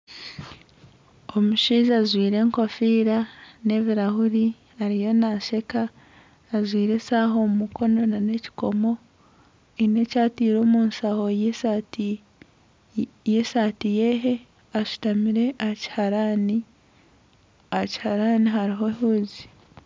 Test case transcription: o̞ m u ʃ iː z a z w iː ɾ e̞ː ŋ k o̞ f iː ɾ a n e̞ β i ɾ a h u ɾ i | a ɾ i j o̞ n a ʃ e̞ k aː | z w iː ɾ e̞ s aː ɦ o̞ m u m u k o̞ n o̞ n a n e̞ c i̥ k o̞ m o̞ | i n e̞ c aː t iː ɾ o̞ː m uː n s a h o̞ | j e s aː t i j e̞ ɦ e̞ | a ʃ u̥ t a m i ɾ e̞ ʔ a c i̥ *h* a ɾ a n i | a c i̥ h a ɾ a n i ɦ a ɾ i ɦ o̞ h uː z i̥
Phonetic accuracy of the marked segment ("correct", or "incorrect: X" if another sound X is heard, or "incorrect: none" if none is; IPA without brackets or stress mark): correct